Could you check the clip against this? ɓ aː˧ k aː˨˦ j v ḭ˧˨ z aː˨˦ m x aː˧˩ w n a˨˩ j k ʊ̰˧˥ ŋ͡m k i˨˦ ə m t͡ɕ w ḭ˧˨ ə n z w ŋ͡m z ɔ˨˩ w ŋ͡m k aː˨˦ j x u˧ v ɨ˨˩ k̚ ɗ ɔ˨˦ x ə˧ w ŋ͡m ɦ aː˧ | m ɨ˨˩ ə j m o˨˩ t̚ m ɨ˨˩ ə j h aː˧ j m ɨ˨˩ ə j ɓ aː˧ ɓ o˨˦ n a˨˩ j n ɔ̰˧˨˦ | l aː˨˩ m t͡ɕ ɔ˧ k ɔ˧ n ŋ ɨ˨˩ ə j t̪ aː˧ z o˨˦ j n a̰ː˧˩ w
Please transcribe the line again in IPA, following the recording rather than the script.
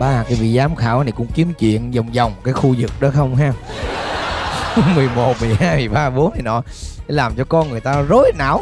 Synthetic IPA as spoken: ɓ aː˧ k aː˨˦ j v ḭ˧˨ z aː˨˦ m x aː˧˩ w n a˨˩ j k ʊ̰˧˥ ŋ͡m k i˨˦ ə m t͡ɕ w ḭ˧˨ ə n z w ŋ͡m z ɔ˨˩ w ŋ͡m k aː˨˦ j x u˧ z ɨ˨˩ k̚ ɗ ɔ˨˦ x ə˧ w ŋ͡m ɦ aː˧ | m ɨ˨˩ ə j m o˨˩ t̚ m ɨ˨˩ ə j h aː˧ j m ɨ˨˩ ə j ɓ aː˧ ɓ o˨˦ n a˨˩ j n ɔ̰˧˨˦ | l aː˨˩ m t͡ɕ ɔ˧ k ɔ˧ n ŋ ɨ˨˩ ə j t̪ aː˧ z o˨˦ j n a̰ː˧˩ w

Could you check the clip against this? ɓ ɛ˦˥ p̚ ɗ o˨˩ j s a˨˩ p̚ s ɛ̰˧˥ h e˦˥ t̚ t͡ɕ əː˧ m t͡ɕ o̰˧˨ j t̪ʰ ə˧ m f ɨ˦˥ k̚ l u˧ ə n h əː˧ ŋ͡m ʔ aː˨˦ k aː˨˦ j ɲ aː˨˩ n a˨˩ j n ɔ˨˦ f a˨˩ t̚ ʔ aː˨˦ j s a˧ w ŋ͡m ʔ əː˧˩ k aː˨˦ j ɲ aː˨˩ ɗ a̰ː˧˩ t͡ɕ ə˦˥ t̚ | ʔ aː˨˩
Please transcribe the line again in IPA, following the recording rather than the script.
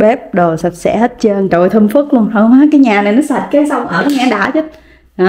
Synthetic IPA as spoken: ɓ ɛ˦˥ p̚ ɗ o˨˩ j s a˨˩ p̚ s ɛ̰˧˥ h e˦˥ t̚ t͡ɕ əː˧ n t͡ɕ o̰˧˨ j t̪ʰ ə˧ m f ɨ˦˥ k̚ l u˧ ə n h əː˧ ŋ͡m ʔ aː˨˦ k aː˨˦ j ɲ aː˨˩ n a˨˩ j n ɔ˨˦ s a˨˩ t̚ k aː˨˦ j s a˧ w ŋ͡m ʔ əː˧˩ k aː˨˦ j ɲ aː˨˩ ɗ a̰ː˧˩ t͡ɕ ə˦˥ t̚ | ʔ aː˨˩

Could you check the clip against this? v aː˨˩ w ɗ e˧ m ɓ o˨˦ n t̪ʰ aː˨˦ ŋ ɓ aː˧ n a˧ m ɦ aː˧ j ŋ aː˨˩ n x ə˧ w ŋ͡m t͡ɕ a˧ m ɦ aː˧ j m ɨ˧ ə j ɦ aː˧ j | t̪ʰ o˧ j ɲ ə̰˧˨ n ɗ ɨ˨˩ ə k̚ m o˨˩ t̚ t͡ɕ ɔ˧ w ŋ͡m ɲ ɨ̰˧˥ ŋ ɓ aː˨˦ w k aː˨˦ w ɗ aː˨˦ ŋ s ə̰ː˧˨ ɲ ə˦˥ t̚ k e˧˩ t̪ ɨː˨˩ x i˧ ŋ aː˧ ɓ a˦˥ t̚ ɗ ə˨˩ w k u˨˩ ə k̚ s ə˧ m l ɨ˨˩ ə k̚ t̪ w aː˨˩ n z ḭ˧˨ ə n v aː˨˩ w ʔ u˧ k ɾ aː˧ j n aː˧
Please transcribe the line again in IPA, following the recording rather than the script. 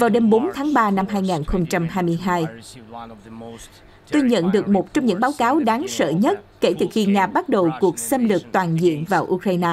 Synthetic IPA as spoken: v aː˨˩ w ɗ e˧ m ɓ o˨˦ n t̪ʰ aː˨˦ ŋ ɓ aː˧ n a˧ m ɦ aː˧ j ŋ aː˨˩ n x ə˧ w ŋ͡m t͡ɕ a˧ m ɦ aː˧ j m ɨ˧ ə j ɦ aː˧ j | t̪ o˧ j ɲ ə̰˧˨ n ɗ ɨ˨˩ ə k̚ m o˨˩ t̚ t͡ɕ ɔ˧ w ŋ͡m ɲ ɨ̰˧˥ ŋ ɓ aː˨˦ w k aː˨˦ w ɗ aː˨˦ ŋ s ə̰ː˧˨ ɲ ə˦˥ t̚ k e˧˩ t̪ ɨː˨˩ x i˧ ŋ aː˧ ɓ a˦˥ t̚ ɗ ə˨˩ w k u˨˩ ə k̚ s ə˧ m l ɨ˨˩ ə k̚ t̪ w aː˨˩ n z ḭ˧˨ ə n v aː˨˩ w ʔ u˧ k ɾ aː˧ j n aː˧

